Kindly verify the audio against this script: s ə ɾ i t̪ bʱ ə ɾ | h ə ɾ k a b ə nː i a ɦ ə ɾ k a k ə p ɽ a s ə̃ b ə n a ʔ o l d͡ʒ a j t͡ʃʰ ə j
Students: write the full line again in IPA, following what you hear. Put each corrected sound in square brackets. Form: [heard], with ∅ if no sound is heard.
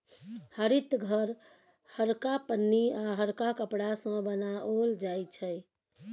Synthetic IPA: [h] ə ɾ i t̪ [ɡʱ] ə ɾ | h ə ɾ k a [p] ə nː i a ɦ ə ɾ k a k ə p ɽ a s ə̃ b ə n a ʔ o l d͡ʒ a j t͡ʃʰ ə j